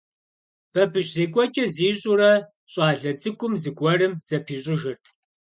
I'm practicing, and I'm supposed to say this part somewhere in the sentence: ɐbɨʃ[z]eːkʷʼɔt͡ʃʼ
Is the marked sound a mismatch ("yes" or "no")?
no